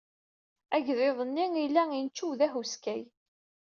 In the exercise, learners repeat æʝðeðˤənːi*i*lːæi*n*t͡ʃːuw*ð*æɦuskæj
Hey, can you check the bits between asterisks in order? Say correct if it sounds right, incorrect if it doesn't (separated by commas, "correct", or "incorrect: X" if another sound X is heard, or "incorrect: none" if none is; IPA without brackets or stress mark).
correct, correct, correct